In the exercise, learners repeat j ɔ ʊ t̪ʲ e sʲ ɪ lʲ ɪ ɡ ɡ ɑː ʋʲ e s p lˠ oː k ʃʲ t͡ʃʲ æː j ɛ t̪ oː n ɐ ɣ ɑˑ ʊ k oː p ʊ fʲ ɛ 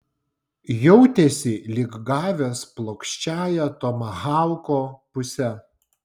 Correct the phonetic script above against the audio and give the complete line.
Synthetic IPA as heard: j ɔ ʊ t̪ʲ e sʲ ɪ lʲ ɪ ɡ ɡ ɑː ʋʲ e s p lˠ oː k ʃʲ t͡ʃʲ æː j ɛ t̪ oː m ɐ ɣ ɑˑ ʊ k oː p ʊ sʲ ɛ